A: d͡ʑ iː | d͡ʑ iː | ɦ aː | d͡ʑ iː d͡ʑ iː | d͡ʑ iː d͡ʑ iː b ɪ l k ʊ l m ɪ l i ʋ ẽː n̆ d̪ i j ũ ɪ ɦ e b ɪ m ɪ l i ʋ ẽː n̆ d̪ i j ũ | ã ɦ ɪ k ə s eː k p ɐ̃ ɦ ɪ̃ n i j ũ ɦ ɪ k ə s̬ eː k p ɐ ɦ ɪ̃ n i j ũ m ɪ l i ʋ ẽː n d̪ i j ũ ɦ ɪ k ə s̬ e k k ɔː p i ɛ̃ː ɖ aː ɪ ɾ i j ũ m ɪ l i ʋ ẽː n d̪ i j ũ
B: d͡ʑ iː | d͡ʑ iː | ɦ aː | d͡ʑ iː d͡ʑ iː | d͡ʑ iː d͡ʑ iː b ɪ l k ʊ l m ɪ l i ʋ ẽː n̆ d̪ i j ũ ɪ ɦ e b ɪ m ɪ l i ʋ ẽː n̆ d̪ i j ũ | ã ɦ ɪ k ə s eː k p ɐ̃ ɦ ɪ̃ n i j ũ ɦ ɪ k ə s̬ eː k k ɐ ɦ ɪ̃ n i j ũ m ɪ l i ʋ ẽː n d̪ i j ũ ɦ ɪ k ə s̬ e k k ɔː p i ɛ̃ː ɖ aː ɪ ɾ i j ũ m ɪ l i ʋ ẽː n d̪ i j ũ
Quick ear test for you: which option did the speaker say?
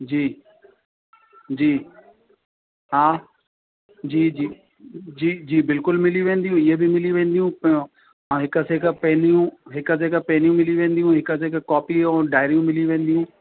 A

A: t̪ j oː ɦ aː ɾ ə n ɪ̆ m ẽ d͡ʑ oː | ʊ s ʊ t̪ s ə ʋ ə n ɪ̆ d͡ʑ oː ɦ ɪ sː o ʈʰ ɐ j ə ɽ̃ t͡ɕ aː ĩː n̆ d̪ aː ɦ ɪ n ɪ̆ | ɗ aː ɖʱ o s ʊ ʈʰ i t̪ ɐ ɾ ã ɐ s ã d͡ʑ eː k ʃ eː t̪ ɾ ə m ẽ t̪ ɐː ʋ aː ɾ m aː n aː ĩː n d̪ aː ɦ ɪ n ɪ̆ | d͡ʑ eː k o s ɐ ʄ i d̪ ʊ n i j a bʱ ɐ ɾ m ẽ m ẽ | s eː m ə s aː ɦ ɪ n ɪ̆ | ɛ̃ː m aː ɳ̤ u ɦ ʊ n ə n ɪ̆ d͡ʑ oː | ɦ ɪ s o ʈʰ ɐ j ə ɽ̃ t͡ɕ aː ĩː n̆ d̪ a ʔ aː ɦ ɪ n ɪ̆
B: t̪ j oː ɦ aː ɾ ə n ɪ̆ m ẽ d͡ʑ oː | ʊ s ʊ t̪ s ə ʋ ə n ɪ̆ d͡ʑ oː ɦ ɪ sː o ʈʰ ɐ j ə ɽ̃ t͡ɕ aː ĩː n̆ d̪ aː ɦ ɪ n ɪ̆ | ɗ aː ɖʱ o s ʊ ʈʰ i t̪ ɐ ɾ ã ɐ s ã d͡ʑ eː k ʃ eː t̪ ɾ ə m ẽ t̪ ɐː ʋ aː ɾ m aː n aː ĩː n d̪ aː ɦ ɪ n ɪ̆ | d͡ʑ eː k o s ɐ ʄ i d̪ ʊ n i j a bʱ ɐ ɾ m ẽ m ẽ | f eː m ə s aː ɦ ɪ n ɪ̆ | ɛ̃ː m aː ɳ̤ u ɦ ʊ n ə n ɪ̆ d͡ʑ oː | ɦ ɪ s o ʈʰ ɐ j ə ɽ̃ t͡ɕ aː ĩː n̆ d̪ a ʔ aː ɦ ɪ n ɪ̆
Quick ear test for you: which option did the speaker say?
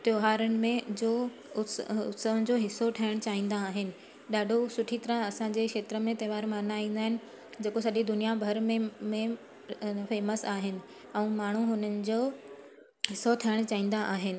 B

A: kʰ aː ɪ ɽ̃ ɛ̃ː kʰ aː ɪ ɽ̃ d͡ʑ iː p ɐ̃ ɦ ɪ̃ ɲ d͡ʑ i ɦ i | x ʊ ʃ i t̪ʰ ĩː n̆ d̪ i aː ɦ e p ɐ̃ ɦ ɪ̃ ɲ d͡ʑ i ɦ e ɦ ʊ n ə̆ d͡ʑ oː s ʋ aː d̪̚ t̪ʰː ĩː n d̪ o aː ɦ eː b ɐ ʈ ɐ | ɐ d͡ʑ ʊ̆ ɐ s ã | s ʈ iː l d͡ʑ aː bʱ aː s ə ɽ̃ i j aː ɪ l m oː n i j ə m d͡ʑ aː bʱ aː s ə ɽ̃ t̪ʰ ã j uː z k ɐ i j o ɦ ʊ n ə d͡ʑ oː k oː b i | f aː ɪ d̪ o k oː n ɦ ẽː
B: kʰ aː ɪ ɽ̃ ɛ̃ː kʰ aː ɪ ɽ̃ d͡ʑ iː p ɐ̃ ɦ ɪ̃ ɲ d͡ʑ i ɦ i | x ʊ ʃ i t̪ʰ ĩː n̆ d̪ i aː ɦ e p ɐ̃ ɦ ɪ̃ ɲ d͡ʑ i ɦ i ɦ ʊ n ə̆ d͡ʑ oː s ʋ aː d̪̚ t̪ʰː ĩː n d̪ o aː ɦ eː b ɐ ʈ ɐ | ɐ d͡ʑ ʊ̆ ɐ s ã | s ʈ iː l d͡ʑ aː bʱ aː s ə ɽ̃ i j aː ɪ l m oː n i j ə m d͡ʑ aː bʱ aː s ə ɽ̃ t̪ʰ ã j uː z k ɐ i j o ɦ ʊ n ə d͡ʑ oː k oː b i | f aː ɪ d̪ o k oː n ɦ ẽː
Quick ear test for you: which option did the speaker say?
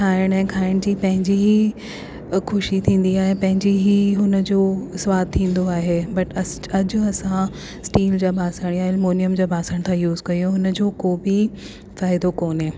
B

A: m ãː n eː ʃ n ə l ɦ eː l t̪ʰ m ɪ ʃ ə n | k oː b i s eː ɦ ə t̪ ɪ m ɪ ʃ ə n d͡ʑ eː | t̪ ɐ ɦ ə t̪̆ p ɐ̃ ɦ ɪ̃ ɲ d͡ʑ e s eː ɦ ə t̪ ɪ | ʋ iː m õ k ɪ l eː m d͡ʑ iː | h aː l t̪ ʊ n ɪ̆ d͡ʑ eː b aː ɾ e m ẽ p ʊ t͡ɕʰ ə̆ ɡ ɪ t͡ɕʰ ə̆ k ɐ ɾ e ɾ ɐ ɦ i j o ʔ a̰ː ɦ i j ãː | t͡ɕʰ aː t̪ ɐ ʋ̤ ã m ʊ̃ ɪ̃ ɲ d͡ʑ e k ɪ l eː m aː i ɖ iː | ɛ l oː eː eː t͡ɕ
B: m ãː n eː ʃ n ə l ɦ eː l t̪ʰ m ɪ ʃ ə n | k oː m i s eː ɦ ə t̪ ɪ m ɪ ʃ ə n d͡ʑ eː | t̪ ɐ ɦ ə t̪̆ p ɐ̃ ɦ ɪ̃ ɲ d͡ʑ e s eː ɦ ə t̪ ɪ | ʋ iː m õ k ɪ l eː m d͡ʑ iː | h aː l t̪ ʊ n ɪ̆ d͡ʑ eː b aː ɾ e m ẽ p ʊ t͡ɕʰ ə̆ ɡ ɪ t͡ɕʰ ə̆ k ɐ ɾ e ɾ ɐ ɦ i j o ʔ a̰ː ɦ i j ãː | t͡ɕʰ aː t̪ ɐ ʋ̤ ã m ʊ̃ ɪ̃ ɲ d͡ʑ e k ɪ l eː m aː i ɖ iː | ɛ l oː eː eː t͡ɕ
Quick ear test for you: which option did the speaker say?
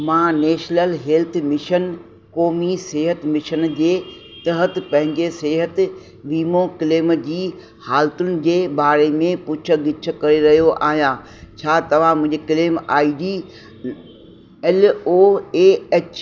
B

